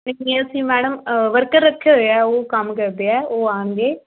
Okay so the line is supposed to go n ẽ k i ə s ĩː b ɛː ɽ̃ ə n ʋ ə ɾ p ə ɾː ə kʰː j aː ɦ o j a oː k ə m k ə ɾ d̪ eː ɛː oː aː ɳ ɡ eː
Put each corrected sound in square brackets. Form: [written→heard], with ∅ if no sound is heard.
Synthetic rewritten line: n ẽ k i ə s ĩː [b→m] ɛː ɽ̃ ə [n→m] ʋ ə ɾ [p→k] ə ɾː ə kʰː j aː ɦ o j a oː k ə m k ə ɾ d̪ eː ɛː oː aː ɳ ɡ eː